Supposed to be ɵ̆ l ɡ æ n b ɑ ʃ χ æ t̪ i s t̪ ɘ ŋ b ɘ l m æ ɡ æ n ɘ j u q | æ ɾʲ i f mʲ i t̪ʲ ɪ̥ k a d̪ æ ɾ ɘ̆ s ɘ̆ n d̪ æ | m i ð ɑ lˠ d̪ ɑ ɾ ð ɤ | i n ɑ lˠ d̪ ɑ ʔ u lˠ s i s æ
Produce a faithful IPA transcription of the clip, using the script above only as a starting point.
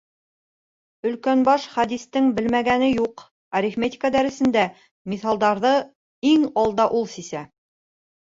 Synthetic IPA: ɵ̆ l k æ n b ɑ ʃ χ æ d̪ i s t̪ ɘ ŋ b ɘ l m æ ɡ æ n ɘ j u q | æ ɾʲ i f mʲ e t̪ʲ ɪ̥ k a d̪ æ ɾ ɘ̆ s ɘ̆ n d̪ æ | m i θ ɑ lˠ d̪ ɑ ɾ ð ɤ | i ŋ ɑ lˠ d̪ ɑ ʔ u lˠ s i s æ